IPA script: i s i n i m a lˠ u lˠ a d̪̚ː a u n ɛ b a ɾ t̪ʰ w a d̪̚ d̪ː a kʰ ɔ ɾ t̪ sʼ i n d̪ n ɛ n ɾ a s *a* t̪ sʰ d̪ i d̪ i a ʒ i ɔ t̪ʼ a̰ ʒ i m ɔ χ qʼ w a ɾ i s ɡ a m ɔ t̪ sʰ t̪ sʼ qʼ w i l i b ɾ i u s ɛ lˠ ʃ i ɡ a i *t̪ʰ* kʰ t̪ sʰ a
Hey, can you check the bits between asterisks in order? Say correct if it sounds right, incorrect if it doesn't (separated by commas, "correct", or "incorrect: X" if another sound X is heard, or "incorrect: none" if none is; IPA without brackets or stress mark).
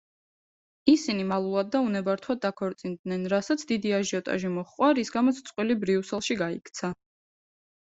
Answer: correct, incorrect: none